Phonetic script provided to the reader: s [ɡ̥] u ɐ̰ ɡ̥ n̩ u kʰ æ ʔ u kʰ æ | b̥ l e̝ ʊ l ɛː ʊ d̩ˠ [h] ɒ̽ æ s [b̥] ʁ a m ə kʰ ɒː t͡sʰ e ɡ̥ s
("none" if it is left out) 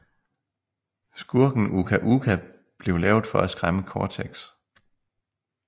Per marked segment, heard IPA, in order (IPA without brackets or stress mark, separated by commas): ɡ̥, f, ɡ̥